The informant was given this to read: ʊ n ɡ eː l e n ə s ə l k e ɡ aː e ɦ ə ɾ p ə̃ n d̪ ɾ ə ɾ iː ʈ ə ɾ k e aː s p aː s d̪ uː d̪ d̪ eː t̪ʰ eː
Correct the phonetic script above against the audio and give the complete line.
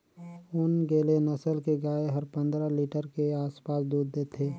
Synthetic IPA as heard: ʊ n ɡ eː l e n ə s ə l k e ɡ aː e ɦ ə ɾ p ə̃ n d̪ ɾ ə l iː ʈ ə ɾ k e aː s p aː s d̪ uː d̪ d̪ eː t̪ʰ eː